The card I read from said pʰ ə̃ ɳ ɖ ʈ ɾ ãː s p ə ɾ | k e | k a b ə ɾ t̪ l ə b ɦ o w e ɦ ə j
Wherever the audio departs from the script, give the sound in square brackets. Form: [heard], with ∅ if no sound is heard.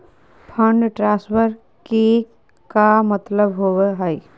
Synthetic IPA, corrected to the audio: pʰ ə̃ ɳ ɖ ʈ ɾ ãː s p ə ɾ | k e | k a [m] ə [∅] t̪ l ə b ɦ o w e ɦ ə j